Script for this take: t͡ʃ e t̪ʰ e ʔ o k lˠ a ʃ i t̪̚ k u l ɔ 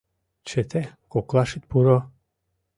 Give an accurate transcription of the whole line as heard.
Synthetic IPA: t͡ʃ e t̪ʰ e k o k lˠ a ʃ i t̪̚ p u ɾ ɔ

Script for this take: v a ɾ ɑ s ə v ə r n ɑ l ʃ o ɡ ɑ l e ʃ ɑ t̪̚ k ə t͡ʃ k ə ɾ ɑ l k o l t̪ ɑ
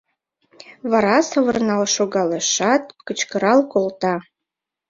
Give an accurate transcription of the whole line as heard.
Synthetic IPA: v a ɾ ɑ s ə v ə r n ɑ l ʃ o ɡ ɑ l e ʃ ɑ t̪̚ k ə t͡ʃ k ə ɾ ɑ l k o l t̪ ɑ

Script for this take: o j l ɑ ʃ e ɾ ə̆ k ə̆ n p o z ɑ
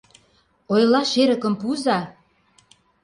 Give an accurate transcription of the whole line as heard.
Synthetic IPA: o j l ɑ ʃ e ɾ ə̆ k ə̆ m p u z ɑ

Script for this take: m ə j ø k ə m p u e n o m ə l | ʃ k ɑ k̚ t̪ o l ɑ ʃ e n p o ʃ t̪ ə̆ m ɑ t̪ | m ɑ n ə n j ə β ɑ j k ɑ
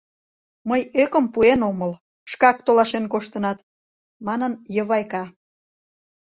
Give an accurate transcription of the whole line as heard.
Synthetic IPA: m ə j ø k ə m p u e n o m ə l | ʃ k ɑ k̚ t̪ o l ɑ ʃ e n k o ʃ t̪ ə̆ n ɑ t̪ | m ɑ n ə n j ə β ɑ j k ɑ

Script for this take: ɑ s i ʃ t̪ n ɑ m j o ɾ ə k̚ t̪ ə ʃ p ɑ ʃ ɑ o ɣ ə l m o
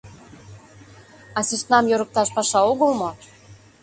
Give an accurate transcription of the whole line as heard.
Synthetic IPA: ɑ s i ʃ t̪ n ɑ m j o ɾ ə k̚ t̪ ɑ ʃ p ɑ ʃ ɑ o ɣ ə l m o

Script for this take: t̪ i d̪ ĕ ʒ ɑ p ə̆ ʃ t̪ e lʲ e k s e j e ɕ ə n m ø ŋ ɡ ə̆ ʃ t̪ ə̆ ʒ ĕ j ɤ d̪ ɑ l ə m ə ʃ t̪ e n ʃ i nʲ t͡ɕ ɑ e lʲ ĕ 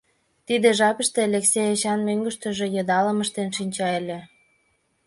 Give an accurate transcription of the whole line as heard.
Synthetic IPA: t̪ i d̪ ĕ ʒ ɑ p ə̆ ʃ t̪ e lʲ e k s e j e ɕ ɑ n m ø ŋ ɡ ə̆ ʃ t̪ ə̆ ʒ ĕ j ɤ d̪ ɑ l ə m ə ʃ t̪ e n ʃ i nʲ t͡ɕ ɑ e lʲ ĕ

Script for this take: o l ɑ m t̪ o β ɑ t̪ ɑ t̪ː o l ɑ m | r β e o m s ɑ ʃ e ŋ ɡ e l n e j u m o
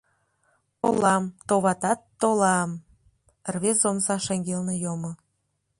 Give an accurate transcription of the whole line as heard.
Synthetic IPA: o l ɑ m t̪ o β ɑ t̪ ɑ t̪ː o l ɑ m | r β e o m s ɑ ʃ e ŋ ɡ e l n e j o m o

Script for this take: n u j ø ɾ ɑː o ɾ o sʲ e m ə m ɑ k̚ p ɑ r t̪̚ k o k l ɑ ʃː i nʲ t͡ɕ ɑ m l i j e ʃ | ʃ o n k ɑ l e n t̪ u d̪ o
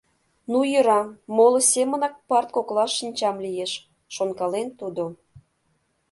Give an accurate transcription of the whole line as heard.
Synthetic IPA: n u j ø ɾ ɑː o l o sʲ e m ə n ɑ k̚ p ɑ r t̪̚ k o k l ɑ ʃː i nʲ t͡ɕ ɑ m l i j e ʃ | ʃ o n k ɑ l e n t̪ u d̪ o

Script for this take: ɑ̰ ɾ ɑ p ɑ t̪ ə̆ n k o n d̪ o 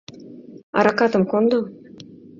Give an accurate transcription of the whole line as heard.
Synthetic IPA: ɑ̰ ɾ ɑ k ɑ t̪ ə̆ m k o n d̪ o

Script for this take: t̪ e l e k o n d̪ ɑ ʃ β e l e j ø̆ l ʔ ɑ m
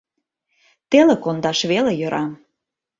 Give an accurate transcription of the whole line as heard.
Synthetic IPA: t̪ e l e k o n d̪ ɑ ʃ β e l e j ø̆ ɾ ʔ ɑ m

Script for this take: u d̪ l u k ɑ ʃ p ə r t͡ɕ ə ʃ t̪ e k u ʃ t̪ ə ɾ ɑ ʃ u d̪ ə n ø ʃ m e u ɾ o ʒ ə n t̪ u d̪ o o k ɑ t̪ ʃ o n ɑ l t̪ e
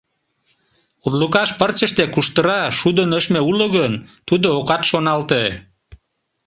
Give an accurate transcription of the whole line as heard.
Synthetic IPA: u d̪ l u k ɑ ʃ p ə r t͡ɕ ə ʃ t̪ e k u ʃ t̪ ə ɾ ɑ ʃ u d̪ ə n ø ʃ m e u l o ɣ ə n t̪ u d̪ o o k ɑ t̪ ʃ o n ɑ l t̪ e

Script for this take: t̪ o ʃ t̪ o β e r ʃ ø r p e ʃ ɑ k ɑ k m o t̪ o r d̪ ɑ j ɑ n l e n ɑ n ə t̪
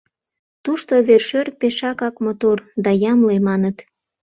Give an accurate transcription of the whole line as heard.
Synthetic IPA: t̪ u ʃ t̪ o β e r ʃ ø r p e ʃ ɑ k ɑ k m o t̪ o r d̪ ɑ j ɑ m l e m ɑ n ə t̪

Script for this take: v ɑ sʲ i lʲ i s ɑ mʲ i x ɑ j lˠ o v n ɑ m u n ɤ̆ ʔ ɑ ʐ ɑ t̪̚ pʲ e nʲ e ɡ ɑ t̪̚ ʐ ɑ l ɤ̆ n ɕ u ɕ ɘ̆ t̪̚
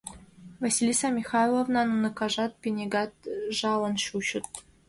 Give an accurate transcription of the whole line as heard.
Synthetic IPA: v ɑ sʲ i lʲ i s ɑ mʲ i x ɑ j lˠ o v n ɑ n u n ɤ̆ k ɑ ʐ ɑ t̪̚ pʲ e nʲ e ɡ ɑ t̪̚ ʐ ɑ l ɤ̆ n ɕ u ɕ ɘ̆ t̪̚

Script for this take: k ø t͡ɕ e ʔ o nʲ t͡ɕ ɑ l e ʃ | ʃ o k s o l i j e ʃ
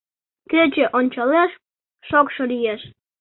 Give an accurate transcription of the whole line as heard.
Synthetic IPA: k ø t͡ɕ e ʔ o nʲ t͡ɕ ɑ l e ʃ | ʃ o k ʃ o l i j e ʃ

